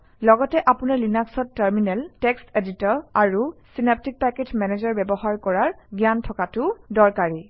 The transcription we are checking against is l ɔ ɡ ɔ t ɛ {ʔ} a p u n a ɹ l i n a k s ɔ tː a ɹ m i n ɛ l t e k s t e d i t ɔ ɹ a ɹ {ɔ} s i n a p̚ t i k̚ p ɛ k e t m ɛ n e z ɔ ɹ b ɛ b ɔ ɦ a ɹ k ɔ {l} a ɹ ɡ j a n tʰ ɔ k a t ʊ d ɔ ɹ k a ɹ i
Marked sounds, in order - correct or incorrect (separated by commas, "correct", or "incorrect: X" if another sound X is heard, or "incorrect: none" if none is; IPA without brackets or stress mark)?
correct, incorrect: u, incorrect: ɹ